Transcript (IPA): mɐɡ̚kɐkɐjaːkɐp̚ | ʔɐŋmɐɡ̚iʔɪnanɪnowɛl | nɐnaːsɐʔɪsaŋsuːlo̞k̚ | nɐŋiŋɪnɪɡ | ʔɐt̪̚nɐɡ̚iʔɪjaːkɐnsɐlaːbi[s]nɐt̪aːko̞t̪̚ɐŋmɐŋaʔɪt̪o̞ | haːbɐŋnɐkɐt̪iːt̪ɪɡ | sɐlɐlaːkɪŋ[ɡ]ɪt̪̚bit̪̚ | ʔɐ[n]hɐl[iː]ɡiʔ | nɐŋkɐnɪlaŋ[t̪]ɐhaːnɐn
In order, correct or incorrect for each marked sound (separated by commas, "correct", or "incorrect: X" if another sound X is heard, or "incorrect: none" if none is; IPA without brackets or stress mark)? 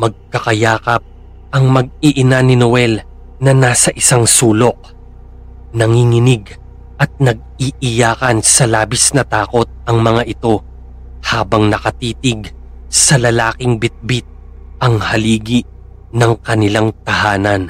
correct, incorrect: b, incorrect: ŋ, correct, correct